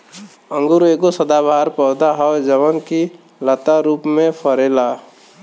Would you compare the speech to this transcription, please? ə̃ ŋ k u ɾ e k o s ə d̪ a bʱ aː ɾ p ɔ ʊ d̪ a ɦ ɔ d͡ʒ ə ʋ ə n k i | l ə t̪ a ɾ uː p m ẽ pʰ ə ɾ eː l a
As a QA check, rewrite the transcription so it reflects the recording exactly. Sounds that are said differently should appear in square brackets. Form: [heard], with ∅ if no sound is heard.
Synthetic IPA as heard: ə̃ ŋ [ɡ] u ɾ e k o s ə d̪ a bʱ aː ɾ p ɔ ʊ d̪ a ɦ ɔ d͡ʒ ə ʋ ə n k i | l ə t̪ a ɾ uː p m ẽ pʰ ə ɾ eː l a